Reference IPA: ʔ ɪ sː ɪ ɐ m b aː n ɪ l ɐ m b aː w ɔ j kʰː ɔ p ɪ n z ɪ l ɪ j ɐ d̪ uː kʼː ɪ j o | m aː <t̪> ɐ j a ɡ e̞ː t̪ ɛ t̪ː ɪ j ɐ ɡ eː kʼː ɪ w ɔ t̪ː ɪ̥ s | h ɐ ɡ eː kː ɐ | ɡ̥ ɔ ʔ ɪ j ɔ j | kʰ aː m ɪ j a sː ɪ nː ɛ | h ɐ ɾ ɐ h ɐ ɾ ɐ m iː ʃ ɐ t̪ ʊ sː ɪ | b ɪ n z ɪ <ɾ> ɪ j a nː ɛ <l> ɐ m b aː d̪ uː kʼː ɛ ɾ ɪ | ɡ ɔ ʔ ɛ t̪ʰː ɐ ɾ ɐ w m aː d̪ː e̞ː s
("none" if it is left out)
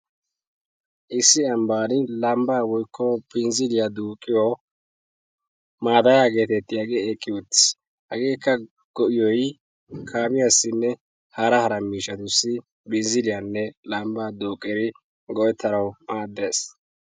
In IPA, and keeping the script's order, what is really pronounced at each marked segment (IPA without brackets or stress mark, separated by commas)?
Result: d̪, l, l